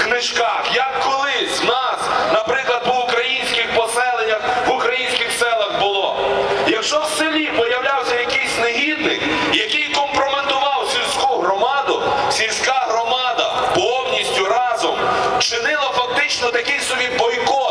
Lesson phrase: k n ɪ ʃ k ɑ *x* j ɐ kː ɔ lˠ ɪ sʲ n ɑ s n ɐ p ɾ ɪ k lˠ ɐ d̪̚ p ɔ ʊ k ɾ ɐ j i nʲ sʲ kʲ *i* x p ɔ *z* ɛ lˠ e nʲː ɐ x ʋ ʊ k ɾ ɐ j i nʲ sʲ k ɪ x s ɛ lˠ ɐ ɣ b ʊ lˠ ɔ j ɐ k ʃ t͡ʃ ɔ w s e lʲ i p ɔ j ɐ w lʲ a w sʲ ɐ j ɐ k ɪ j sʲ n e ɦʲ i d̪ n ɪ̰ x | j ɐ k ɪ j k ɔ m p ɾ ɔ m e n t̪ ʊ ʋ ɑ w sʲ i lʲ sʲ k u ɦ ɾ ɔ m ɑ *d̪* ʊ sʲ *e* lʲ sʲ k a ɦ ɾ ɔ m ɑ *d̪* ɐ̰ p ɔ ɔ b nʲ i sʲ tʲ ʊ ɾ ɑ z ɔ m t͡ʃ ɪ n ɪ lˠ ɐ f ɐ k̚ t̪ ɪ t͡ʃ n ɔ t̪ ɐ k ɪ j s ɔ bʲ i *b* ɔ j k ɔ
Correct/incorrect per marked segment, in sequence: correct, incorrect: ɪ, incorrect: s, correct, incorrect: i, correct, correct

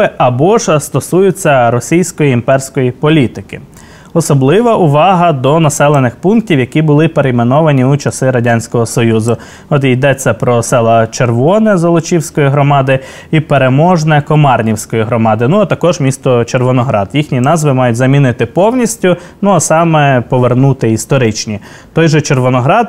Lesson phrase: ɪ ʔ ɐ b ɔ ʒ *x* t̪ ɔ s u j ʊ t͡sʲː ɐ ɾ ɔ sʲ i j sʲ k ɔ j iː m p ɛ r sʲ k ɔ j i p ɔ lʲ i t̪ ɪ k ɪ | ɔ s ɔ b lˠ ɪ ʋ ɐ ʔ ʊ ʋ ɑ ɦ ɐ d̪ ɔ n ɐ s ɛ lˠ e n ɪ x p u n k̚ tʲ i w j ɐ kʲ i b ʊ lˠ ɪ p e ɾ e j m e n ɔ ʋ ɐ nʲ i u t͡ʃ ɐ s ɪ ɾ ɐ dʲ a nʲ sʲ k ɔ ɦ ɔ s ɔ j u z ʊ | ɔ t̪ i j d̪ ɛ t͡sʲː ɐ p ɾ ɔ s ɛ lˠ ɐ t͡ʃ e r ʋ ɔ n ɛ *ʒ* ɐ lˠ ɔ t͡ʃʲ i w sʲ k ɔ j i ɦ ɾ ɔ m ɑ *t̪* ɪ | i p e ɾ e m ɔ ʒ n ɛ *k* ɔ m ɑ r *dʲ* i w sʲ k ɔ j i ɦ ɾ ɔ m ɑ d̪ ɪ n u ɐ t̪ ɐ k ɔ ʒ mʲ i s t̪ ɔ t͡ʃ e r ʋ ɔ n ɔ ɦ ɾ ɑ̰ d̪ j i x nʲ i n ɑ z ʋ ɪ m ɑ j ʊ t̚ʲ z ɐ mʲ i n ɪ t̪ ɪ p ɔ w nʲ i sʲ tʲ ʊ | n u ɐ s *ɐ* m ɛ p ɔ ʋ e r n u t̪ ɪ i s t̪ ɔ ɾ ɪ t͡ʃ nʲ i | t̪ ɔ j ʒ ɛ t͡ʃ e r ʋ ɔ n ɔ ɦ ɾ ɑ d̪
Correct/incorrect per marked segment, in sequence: incorrect: s, incorrect: z, incorrect: d̪, correct, incorrect: nʲ, incorrect: ɑ

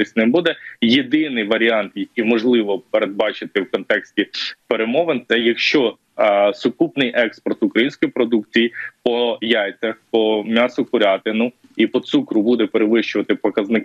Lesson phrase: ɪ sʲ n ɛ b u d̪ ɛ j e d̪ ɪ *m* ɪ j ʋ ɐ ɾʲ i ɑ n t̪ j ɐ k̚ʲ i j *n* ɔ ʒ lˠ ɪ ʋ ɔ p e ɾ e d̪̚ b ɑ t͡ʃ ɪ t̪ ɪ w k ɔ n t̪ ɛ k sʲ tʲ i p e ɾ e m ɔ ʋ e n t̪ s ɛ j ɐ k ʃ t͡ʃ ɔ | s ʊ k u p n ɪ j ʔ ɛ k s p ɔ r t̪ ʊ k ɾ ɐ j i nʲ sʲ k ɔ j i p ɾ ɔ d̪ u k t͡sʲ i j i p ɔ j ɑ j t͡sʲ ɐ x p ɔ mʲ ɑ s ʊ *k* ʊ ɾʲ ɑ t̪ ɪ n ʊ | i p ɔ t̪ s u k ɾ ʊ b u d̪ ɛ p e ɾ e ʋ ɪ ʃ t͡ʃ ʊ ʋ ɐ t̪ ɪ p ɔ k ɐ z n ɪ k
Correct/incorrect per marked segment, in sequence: incorrect: n, incorrect: m, correct

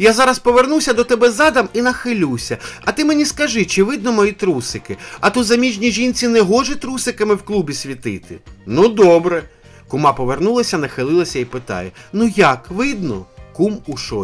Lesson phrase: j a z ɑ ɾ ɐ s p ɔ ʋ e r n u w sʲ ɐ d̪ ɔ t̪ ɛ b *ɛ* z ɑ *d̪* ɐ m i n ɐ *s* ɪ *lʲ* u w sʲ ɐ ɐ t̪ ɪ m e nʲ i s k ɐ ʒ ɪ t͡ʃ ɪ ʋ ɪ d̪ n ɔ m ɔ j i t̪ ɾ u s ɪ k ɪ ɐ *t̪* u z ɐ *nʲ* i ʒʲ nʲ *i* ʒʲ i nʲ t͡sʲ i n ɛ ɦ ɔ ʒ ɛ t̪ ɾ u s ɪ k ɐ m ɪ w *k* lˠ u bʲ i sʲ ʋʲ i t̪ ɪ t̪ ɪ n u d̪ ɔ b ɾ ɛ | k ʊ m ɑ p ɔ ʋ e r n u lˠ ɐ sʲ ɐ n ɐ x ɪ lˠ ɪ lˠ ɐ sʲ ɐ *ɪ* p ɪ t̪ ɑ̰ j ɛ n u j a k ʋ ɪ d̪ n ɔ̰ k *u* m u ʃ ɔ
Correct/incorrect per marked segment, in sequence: correct, correct, incorrect: x, correct, correct, incorrect: mʲ, correct, correct, incorrect: i, correct

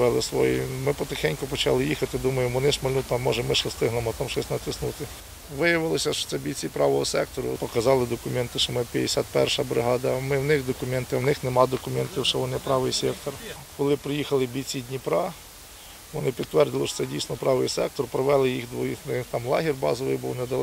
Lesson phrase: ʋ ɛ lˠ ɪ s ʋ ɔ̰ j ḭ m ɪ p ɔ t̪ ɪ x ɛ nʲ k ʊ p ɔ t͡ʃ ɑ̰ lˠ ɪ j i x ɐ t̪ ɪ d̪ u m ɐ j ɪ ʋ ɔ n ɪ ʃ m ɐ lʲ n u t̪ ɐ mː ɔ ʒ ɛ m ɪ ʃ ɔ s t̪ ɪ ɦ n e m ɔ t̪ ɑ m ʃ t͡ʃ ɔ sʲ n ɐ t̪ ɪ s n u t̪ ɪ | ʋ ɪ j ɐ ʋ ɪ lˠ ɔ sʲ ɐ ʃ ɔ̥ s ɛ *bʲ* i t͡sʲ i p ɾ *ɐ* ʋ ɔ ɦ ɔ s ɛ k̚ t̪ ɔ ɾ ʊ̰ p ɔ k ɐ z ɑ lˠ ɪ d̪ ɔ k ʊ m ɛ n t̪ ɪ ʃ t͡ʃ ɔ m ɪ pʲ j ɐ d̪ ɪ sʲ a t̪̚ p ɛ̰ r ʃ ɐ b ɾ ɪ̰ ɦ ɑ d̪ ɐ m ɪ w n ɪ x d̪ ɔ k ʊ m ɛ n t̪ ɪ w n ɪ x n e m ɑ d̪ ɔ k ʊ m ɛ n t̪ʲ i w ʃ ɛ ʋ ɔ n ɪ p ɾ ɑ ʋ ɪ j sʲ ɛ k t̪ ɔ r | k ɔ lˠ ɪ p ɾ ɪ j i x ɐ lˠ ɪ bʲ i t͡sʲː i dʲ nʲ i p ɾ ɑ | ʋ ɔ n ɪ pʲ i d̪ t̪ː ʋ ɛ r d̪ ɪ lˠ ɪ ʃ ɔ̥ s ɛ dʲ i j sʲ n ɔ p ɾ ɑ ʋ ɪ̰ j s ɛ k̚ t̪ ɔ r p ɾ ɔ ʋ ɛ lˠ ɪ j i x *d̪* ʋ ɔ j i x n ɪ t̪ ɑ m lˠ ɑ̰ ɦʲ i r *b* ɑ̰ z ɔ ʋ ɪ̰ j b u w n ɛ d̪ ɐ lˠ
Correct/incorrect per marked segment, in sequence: correct, incorrect: ɑ, correct, correct

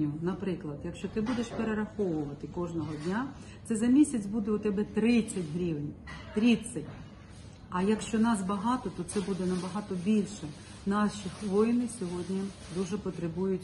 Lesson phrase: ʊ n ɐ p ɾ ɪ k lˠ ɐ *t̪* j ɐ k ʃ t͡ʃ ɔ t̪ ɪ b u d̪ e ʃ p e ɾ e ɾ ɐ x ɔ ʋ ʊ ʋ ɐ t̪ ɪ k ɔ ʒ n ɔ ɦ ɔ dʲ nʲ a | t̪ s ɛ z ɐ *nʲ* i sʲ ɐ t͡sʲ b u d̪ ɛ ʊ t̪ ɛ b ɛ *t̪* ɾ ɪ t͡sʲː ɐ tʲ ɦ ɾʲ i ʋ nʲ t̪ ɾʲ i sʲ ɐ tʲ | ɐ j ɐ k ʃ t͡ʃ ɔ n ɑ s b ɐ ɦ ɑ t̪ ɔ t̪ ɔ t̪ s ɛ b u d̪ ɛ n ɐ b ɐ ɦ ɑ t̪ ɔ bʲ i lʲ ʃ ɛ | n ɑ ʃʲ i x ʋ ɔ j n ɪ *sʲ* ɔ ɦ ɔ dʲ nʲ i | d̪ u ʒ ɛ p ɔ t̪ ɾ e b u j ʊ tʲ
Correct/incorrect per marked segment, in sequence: incorrect: d̪, incorrect: mʲ, correct, correct

